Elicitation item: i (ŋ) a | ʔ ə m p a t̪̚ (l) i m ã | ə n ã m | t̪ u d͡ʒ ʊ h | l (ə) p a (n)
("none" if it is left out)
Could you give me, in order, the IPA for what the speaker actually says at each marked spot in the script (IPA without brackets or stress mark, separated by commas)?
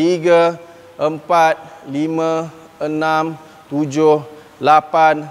ɡ, l, a, n